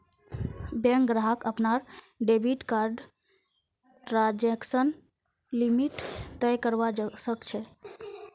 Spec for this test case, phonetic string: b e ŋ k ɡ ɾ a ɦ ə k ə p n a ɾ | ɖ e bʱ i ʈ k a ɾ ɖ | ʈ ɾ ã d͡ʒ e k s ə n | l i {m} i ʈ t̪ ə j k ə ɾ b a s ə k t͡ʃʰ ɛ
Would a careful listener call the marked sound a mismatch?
no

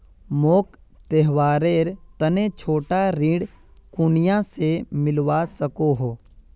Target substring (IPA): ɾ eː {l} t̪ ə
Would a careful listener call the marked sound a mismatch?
yes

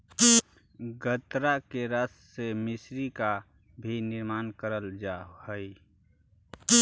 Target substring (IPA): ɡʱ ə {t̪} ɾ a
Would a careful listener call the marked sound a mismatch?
no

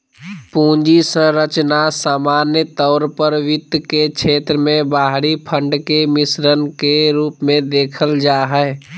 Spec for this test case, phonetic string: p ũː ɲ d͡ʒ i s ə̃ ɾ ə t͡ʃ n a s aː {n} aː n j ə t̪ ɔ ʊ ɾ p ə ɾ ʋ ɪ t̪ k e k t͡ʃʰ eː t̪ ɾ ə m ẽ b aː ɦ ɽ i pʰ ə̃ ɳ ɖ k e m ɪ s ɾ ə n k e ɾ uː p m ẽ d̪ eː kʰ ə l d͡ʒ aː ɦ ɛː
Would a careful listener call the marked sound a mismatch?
yes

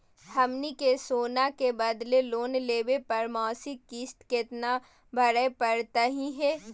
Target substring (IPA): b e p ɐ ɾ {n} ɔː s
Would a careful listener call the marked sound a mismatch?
yes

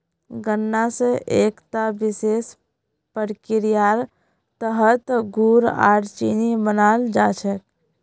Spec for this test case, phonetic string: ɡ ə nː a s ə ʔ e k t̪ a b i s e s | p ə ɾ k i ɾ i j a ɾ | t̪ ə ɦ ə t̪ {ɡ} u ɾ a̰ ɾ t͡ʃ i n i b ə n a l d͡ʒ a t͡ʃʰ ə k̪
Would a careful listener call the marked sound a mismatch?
no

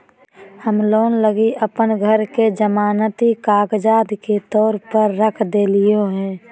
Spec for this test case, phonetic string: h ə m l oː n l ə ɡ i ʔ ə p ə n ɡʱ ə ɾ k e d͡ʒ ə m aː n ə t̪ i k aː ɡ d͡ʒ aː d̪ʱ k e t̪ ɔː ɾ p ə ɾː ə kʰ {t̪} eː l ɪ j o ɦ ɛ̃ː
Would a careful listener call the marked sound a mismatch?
yes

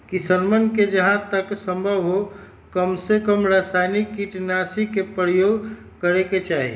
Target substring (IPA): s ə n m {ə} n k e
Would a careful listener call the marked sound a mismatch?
no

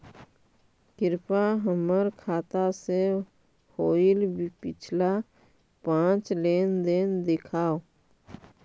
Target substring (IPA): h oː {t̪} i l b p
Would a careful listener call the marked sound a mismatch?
yes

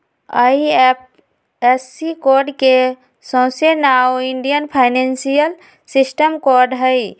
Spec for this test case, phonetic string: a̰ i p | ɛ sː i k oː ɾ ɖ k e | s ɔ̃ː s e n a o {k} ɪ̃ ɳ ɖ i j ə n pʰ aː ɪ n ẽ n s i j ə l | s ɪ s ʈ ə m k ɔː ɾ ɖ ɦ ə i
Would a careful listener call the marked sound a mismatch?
yes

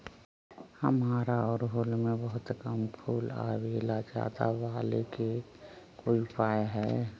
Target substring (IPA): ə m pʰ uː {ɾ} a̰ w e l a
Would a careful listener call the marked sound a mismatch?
yes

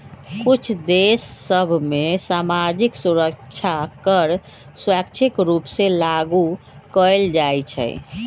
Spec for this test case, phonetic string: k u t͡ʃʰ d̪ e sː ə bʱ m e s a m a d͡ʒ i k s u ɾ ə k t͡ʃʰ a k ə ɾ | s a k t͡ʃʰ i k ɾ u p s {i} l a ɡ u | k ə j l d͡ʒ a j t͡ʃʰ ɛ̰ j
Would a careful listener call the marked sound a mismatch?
yes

